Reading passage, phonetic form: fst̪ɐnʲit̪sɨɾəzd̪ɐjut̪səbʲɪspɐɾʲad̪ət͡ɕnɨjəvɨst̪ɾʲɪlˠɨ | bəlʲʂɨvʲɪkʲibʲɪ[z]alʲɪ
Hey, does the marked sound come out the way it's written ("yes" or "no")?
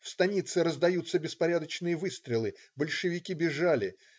no